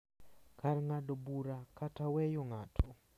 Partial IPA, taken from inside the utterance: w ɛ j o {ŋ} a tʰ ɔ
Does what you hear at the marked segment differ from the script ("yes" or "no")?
no